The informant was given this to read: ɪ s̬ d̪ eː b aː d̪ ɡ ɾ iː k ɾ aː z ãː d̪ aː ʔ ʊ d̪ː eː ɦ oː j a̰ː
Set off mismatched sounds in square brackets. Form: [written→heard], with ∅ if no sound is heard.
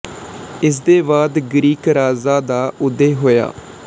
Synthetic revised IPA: ɪ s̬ d̪ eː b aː d̪ ɡ ɾ iː k ɾ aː z [ãː→aː] d̪ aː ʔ ʊ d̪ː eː ɦ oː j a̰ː

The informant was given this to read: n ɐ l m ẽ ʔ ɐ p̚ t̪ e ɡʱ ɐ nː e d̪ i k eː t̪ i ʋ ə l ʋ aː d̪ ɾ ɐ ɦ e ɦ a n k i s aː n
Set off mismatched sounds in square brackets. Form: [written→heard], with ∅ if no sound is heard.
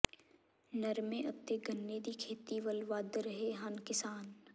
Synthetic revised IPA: n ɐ [l→ɾ] m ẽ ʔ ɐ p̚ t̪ e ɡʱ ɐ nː e d̪ i [k→kʰ] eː t̪ i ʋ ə l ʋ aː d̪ ɾ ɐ ɦ e ɦ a n k [i→ɪ] s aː n

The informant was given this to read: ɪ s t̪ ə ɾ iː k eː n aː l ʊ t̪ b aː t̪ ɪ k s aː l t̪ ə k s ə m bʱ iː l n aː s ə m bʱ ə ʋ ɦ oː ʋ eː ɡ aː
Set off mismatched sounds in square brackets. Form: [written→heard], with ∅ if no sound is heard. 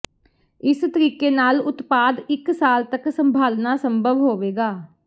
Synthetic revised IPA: ɪ s t̪ ə ɾ iː k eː n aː l ʊ t̪ [b→p] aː [t̪→d̪] ɪ k s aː l t̪ ə k s ə m bʱ [iː→aː] l n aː s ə m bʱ ə ʋ ɦ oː ʋ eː ɡ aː

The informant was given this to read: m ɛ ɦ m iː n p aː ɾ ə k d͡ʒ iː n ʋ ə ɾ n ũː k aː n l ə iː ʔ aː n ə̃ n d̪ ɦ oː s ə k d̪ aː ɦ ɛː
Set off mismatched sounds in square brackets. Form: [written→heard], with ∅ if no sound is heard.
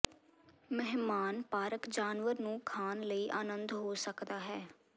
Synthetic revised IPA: m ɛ ɦ m [iː→aː] n p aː ɾ ə k d͡ʒ [iː→aː] n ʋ ə ɾ n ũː [k→kʰ] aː n l ə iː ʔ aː n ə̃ n d̪ ɦ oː s ə k d̪ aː ɦ ɛː

